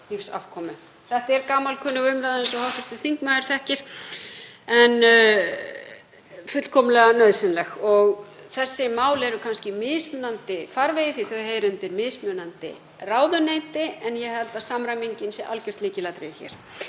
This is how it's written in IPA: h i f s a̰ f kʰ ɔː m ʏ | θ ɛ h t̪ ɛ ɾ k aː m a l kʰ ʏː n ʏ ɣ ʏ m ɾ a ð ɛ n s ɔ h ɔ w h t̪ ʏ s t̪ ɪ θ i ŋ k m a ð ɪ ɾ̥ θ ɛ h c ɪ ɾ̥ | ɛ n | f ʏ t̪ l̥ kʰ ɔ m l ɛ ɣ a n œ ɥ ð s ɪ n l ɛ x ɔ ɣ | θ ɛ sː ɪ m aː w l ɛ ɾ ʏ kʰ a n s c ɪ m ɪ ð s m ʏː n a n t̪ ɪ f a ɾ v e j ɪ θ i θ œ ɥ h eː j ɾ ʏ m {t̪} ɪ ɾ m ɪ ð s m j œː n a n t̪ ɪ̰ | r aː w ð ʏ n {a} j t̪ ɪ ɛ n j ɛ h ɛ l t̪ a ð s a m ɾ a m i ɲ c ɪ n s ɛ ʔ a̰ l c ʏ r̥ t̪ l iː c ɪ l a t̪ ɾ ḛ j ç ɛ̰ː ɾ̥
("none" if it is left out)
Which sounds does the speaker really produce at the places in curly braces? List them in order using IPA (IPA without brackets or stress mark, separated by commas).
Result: t̪, e